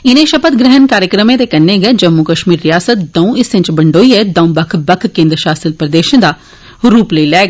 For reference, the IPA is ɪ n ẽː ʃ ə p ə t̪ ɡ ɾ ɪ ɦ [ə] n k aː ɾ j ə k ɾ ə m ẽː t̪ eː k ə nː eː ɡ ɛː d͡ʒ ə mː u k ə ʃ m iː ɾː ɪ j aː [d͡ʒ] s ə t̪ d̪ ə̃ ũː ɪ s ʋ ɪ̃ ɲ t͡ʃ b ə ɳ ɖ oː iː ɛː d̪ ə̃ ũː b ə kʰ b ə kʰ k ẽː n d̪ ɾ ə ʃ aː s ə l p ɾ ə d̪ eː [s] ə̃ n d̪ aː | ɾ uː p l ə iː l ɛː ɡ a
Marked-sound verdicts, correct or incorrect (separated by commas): correct, incorrect, incorrect